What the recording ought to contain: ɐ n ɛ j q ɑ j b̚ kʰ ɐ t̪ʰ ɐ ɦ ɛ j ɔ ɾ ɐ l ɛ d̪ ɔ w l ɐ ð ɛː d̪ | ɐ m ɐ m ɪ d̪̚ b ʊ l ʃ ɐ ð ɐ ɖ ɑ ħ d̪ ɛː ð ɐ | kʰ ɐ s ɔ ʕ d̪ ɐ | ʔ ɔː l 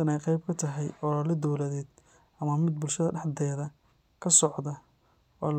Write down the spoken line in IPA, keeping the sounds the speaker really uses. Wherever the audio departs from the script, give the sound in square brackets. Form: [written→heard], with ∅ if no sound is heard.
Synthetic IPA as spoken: ɐ n ɛ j q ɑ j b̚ kʰ ɐ t̪ʰ ɐ ɦ ɛ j ɔ ɾ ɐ l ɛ d̪ ɔ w l ɐ ð ɛː d̪ | ɐ m ɐ m ɪ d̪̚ b ʊ l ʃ ɐ ð ɐ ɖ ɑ ħ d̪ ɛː ð ɐ | kʰ ɐ s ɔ ʕ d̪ ɐ | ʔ ɔː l

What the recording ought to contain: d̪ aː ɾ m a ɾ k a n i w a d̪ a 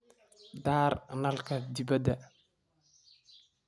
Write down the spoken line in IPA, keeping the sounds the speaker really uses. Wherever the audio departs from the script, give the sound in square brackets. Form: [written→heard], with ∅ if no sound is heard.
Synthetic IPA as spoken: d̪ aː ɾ [m→n] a [ɾ→l] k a [n→d] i [w→b] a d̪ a

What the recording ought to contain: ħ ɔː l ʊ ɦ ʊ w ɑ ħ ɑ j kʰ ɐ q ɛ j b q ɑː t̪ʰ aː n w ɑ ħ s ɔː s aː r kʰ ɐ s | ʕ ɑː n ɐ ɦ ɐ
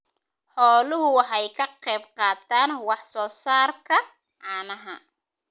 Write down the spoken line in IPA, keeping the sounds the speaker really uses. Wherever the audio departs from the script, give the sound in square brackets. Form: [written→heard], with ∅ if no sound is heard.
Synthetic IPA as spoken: ħ ɔː l ʊ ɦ ʊ w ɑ ħ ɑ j kʰ ɐ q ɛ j b q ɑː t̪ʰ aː n w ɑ ħ s ɔː s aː r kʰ ɐ [s→∅] | ʕ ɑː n ɐ ɦ ɐ

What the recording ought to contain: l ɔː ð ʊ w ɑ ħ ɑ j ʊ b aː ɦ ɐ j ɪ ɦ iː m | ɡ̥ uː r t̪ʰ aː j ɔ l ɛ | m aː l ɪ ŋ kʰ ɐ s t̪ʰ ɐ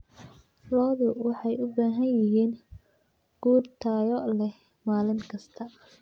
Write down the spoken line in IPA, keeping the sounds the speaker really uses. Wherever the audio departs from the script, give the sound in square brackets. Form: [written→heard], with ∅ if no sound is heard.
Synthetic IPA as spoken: l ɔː ð ʊ w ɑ ħ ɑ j ʊ b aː ɦ ɐ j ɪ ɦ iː [m→n] | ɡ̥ uː r t̪ʰ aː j ɔ l ɛ | m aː l ɪ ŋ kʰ ɐ s t̪ʰ ɐ

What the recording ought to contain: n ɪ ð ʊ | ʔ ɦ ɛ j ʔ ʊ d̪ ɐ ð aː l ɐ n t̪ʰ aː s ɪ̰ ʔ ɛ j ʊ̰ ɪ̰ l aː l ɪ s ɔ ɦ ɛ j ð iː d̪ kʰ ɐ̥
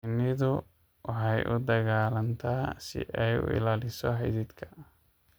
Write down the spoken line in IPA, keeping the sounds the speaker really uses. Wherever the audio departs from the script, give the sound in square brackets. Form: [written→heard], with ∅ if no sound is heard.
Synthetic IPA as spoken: n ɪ ð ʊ | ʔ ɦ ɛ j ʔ ʊ d̪ ɐ [ð→ɣ] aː l ɐ n t̪ʰ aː s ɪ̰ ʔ ɛ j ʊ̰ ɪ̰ l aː l ɪ s ɔ ɦ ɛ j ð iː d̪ kʰ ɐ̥

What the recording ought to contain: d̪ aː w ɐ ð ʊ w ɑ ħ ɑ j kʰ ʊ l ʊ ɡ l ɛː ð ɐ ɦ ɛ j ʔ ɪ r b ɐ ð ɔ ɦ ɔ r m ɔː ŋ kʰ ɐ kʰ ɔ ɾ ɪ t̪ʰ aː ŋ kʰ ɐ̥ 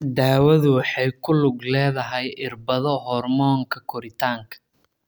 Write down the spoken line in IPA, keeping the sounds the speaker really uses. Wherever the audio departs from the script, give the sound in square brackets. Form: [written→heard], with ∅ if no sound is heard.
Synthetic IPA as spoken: d̪ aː w ɐ ð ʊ w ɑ ħ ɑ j kʰ ʊ l ʊ ɡ l ɛː ð ɐ ɦ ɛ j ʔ ɪ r b ɐ ð ɔ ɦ ɔ r m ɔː ŋ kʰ ɐ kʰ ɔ ɾ ɪ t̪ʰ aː ŋ kʰ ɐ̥

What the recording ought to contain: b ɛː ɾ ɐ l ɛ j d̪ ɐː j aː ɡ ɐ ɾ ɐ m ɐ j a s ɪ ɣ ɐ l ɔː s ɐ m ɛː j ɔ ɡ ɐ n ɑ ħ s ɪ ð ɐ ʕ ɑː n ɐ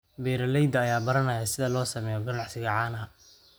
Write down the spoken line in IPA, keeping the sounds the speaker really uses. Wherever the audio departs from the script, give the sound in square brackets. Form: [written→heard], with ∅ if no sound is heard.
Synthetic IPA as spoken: b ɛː ɾ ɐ l ɛ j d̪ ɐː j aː [ɡ→b] ɐ ɾ ɐ [m→n] ɐ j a s ɪ [ɣ→ð] ɐ l ɔː s ɐ m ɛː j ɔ ɡ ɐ n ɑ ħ s ɪ [ð→ɣ] ɐ ʕ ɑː n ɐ

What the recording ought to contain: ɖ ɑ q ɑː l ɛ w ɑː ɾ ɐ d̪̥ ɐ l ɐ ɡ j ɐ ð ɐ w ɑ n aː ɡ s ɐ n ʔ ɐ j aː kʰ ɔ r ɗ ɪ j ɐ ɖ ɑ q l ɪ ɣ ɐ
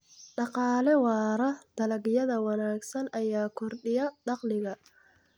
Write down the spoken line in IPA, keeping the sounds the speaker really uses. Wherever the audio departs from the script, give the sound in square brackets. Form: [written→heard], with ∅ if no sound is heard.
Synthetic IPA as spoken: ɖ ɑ q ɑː l ɛ w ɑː ɾ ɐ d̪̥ ɐ l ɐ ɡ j ɐ ð ɐ w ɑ n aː ɡ s ɐ n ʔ ɐ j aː kʰ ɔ r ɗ ɪ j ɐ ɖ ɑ q l ɪ ɣ ɐ

